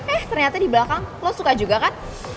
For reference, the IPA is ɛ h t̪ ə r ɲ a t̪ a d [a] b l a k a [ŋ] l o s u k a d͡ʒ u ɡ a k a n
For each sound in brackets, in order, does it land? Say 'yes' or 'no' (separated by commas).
no, yes